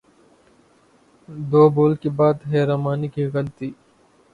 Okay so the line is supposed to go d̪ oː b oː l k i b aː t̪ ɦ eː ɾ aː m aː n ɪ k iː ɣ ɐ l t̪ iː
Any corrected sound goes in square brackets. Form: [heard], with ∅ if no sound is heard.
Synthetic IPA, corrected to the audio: d̪ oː b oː l k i b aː [d̪] ɦ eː ɾ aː m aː n [i] k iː ɣ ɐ l t̪ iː